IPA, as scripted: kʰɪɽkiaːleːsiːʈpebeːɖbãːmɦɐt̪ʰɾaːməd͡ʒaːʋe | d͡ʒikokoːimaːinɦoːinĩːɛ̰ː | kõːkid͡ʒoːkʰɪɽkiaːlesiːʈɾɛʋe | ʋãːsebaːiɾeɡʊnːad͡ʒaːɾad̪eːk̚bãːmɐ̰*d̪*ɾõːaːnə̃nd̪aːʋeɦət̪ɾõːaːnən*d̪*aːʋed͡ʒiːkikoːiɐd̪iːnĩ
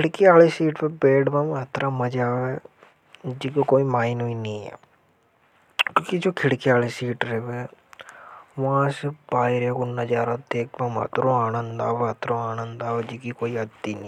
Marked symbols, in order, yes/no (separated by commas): no, yes